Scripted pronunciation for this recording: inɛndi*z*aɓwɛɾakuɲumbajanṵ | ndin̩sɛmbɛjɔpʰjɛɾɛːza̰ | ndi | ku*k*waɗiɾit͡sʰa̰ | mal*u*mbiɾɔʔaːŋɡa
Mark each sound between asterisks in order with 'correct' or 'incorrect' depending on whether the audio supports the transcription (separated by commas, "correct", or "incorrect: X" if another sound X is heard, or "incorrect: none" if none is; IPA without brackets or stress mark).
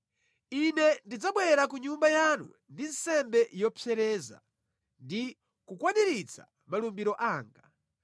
incorrect: d͡z, correct, correct